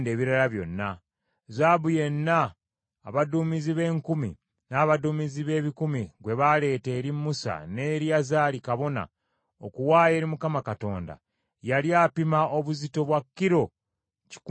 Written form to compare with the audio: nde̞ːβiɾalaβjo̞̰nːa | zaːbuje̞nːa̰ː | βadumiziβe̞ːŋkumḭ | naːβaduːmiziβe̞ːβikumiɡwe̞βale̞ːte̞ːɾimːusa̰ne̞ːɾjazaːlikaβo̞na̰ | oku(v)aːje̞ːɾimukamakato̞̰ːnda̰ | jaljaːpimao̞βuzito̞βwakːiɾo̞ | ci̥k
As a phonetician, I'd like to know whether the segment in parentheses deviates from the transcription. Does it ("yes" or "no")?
yes